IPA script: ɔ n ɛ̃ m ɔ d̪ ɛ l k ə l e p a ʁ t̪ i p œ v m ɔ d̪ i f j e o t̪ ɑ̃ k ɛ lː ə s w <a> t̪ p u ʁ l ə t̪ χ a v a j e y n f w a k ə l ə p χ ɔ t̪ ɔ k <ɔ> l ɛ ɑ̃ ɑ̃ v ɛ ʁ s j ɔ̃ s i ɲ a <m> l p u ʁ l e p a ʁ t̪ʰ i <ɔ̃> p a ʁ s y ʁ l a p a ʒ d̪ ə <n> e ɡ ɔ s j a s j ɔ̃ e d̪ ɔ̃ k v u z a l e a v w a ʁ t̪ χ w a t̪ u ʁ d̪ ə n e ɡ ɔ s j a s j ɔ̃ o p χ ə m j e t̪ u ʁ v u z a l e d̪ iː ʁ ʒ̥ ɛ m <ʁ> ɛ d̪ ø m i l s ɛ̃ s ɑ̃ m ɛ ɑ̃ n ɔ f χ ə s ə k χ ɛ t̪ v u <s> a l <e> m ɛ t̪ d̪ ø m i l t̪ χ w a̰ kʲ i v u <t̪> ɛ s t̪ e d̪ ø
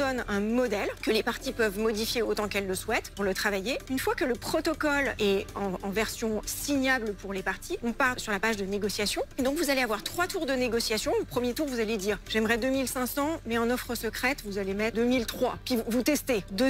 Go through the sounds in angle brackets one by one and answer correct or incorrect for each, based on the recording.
incorrect: ɛ, correct, incorrect: b, correct, correct, correct, incorrect: z, correct, correct

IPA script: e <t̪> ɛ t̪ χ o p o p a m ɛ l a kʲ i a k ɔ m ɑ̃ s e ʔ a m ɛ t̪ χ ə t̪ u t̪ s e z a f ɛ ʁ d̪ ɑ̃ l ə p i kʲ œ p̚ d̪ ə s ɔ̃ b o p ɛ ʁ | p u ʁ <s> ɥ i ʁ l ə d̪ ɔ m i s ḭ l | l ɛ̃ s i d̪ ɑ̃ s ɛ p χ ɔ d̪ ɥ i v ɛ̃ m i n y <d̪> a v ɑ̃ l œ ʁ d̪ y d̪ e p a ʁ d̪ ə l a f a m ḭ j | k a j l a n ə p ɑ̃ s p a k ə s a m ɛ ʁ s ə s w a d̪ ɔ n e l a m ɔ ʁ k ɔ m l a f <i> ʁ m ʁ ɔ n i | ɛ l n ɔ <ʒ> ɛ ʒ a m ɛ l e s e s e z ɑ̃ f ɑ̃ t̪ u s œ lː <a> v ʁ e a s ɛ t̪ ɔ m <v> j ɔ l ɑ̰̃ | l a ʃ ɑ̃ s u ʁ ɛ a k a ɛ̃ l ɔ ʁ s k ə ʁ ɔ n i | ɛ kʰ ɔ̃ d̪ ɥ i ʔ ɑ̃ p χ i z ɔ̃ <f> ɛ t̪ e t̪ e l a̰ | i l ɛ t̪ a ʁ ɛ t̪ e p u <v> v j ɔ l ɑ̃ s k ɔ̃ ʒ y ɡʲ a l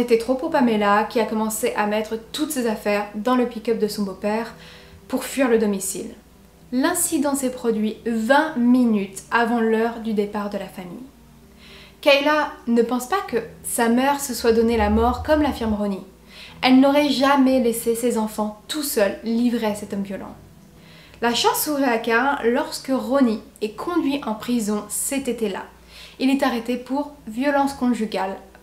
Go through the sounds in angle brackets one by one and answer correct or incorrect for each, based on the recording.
correct, incorrect: f, incorrect: t̪, correct, incorrect: ʁ, incorrect: i, correct, incorrect: s, incorrect: ʁ

